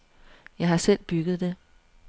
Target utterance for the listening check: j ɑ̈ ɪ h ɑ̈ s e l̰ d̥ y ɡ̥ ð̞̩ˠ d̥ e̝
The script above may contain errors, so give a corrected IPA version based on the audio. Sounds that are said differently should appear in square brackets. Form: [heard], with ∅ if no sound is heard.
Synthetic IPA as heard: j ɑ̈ ɪ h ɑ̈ s e l̰ [b̥] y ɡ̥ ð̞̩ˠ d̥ e̝